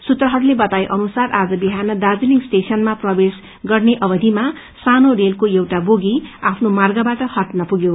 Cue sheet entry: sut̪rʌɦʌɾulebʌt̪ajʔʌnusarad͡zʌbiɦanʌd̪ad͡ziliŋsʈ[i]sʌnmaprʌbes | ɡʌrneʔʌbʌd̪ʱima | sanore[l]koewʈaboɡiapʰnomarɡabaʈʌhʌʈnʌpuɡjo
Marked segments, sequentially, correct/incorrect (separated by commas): incorrect, correct